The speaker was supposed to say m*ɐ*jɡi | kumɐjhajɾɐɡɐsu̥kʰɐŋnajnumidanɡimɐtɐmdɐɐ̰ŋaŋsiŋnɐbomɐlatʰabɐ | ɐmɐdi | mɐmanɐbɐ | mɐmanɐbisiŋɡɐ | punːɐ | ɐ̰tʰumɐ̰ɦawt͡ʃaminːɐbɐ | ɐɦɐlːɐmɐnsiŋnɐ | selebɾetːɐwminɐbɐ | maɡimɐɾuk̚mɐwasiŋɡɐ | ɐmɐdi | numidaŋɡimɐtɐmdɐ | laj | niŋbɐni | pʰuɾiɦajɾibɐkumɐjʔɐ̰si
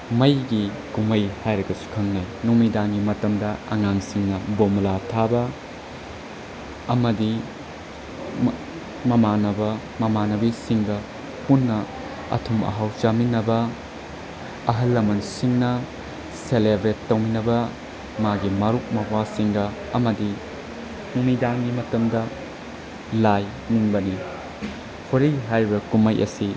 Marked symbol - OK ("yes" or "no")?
yes